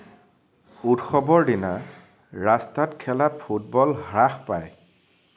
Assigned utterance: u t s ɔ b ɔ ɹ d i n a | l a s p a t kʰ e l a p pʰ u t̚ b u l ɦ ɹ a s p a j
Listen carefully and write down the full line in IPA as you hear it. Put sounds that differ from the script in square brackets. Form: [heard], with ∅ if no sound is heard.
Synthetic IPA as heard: u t [x] ɔ b ɔ ɹ d i n a | [ɹ] a s [t] a t kʰ [ɛ] l a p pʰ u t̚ b [ɔ] l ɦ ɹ a [x] p a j